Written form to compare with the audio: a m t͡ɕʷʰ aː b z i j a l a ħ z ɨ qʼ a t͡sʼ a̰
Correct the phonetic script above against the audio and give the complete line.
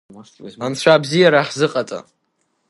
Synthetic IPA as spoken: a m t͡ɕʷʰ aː b z i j a ɾ a ħ z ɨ qʼ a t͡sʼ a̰